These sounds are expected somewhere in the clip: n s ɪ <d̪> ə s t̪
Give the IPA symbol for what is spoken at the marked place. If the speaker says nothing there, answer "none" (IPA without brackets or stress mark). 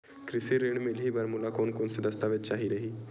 d̪